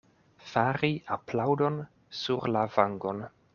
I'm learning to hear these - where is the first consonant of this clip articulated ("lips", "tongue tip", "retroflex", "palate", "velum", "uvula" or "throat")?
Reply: lips